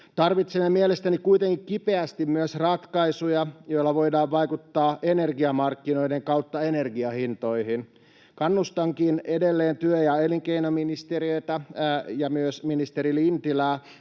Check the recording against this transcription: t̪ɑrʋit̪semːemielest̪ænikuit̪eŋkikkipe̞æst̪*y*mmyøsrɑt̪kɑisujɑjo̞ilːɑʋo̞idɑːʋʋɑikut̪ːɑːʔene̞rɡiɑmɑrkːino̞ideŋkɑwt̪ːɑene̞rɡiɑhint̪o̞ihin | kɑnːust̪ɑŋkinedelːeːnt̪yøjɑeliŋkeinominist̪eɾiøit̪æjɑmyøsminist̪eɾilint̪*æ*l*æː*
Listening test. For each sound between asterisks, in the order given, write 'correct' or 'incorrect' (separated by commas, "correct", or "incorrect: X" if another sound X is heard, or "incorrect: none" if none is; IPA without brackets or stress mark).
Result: incorrect: i, incorrect: i, correct